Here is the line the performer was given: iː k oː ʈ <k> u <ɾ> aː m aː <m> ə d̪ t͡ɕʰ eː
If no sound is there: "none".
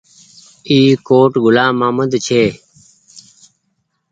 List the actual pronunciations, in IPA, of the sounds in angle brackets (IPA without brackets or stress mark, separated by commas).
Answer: ɡ, l, m